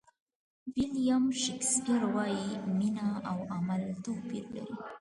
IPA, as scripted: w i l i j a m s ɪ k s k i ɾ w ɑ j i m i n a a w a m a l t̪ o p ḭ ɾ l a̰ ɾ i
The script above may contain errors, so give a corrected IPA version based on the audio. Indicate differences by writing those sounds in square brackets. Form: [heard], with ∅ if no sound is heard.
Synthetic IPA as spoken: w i l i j a m [ʃ] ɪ k s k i ɾ w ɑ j i m i n a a w a m a l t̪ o p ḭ ɾ l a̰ ɾ i